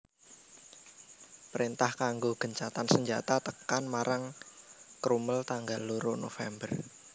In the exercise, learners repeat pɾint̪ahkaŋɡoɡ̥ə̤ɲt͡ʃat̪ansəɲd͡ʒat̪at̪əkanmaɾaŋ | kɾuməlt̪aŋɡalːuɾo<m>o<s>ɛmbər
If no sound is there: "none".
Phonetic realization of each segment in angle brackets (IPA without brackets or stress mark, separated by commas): n, f